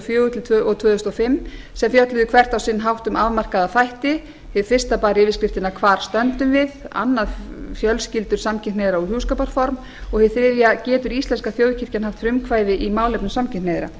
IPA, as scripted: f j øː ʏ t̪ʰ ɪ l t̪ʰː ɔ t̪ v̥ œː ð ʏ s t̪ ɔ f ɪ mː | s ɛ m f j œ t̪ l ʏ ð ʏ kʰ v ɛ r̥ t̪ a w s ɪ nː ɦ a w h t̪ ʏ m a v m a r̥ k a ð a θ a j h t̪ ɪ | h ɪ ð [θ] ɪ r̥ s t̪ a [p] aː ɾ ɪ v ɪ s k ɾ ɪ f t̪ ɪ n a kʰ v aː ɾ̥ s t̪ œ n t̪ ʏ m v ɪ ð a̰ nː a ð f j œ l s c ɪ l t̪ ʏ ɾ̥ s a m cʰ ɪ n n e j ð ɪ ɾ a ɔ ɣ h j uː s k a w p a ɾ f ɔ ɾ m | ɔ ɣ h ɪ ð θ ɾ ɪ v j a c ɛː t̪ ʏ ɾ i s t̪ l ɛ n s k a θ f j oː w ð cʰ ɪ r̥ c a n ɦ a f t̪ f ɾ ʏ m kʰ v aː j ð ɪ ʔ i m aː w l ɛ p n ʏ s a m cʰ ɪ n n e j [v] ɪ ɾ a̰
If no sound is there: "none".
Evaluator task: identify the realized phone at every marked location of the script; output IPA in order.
f, p, ð

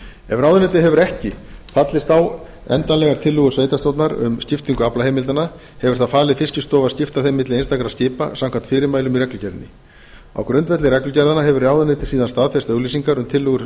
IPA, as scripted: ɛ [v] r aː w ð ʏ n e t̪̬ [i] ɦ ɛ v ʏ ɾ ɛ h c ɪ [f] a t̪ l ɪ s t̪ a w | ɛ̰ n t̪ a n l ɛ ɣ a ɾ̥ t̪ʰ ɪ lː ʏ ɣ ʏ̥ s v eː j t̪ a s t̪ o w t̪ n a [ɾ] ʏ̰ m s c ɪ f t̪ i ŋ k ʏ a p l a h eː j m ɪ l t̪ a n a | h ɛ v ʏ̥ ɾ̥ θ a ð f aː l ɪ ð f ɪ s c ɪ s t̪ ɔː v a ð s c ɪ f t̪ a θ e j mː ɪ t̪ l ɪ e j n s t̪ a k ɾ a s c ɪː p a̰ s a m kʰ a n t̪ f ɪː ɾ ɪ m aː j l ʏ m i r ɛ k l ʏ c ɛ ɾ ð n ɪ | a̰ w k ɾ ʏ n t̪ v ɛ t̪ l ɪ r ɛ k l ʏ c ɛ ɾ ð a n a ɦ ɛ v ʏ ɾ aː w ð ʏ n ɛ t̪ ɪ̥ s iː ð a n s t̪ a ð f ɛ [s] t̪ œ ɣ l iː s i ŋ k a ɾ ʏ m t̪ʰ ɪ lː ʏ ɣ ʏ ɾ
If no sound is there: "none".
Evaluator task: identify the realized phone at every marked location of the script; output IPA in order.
v, ɪ, f, ɾ, s

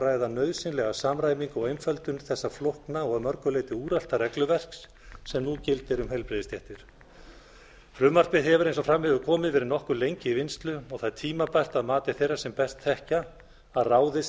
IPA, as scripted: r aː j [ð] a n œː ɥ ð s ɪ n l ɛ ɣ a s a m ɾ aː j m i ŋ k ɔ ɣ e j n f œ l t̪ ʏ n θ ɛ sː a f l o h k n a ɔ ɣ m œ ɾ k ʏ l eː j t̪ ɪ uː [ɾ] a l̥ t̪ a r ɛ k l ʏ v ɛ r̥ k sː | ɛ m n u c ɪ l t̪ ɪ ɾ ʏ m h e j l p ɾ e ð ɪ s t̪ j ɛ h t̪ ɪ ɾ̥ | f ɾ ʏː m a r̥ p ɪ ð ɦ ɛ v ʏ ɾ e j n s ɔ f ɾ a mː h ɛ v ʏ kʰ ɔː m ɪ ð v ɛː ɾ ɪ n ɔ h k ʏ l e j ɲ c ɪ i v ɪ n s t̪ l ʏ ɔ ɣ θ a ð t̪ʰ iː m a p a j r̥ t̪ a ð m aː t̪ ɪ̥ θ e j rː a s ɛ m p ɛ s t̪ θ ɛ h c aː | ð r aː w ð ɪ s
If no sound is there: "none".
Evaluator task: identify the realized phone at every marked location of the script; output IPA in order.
ð, ɾ

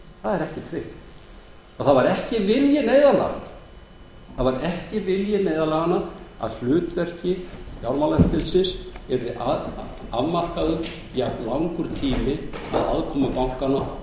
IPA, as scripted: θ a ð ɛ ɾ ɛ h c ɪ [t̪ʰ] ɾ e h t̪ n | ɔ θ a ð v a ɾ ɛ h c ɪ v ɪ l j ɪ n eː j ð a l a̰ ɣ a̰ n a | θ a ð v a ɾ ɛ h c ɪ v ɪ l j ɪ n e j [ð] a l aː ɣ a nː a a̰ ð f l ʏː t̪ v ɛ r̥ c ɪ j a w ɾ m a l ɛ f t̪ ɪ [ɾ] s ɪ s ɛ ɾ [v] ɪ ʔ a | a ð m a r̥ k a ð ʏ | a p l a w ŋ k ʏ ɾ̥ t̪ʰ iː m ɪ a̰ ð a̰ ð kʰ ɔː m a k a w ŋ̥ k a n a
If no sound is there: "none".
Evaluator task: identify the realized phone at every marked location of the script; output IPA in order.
t̪ʰ, ð, l, ð

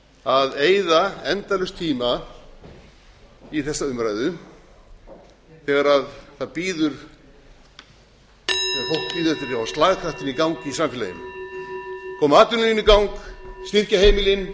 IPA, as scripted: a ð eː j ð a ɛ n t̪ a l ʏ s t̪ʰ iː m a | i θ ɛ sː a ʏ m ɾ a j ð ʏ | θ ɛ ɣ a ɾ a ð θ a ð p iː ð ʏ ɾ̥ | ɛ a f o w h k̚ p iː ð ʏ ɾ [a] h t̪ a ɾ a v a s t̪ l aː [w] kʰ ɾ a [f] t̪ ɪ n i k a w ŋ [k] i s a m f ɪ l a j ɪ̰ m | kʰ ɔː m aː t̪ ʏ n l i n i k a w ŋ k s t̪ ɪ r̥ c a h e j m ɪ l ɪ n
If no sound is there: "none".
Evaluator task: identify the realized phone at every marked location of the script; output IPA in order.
ɛ, ɣ, h, k

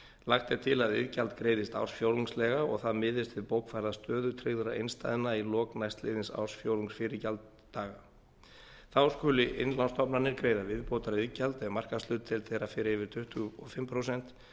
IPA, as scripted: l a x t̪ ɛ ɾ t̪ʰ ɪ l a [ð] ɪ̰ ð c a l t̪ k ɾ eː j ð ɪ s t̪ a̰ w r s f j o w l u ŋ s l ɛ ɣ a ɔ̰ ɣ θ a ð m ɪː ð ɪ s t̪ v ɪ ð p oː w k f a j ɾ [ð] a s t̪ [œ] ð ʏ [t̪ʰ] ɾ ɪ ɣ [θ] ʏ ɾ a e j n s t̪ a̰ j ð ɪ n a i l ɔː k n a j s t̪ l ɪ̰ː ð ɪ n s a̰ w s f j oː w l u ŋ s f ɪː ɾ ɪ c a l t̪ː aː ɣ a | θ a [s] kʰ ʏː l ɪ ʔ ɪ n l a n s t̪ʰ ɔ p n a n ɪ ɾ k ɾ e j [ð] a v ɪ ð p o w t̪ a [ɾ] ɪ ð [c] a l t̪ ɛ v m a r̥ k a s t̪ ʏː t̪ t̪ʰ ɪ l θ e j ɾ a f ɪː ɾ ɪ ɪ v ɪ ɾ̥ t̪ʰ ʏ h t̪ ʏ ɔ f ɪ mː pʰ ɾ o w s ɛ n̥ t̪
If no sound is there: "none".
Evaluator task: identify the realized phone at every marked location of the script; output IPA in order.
ð, ð, œː, t̪ʰ, ð, s, ð, ɾ, c

